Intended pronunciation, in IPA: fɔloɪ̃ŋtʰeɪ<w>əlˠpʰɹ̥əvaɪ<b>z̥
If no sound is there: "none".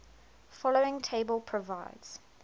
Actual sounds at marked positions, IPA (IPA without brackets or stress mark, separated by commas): b, d